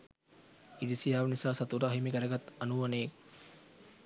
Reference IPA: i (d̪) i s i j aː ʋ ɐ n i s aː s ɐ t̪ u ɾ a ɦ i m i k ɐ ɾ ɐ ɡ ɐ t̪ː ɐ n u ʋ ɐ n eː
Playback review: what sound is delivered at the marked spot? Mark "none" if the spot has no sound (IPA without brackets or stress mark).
d̪